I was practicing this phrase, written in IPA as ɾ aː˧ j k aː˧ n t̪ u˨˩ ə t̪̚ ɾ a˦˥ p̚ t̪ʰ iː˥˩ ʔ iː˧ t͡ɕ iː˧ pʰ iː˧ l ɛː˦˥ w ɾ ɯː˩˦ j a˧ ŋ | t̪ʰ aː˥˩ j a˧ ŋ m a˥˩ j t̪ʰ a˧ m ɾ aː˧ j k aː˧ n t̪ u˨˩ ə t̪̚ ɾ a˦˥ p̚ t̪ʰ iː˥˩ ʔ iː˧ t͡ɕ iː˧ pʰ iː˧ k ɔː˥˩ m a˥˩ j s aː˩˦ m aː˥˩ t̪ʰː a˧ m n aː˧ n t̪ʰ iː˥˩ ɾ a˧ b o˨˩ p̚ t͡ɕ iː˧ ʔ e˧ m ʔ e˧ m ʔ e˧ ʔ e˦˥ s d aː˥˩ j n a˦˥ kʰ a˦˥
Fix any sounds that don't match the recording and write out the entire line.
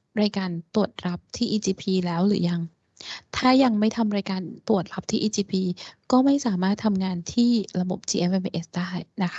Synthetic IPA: ɾ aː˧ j k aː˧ n t̪ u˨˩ ə t̪̚ ɾ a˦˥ p̚ t̪ʰ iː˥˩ ʔ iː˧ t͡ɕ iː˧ pʰ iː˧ l ɛː˦˥ w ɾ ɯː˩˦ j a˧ ŋ | t̪ʰ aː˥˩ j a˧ ŋ m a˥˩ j t̪ʰ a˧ m ɾ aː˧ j k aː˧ n t̪ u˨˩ ə t̪̚ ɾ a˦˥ p̚ t̪ʰ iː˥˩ ʔ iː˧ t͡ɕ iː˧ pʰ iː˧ k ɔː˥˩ m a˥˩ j s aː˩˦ m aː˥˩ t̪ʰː a˧ m ŋ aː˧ n t̪ʰ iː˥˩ ɾ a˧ b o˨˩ p̚ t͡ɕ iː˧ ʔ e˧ m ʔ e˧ m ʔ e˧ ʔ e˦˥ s d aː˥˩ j n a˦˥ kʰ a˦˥